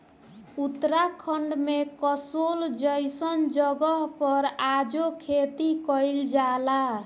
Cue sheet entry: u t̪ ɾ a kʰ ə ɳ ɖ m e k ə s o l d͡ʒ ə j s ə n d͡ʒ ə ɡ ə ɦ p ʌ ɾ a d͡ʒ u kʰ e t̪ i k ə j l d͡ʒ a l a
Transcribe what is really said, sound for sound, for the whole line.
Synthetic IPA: u t̪ ɾ a kʰ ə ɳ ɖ m e k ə s o l d͡ʒ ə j s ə n d͡ʒ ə ɡ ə ɦ p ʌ ɾ a d͡ʒ o kʰ e t̪ i k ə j l d͡ʒ a l a